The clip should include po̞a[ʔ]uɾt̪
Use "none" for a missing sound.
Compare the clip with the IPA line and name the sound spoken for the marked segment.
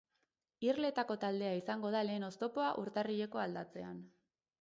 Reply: ʔ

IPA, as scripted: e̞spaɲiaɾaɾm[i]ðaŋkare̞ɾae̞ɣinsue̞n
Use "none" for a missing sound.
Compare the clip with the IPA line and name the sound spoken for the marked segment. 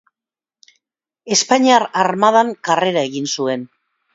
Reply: a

